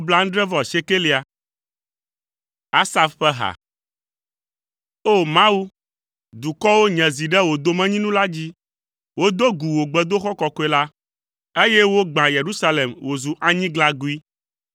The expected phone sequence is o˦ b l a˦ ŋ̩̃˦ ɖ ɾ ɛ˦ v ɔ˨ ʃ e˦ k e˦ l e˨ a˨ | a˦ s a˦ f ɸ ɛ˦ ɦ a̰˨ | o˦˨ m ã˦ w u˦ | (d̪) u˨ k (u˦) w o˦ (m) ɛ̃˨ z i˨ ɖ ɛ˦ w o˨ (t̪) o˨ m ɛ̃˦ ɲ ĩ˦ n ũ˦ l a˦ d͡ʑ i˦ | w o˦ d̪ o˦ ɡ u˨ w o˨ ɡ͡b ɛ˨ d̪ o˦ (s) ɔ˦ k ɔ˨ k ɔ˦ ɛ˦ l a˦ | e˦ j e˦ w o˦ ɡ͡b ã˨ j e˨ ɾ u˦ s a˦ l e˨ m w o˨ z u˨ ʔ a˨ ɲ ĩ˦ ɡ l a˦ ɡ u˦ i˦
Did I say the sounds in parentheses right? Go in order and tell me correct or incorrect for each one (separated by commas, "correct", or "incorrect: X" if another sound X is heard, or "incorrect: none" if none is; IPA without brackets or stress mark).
correct, incorrect: ɔ˦, incorrect: ɲ, incorrect: d̪, incorrect: x